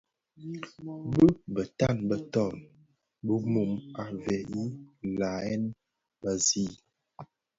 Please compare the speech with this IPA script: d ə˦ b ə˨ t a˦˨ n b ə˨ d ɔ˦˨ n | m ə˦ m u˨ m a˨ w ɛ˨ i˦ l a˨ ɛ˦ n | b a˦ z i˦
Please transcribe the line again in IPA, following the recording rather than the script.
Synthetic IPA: b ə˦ b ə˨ t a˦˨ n b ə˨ t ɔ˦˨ n | b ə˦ m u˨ m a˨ v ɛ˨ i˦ l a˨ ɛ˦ n | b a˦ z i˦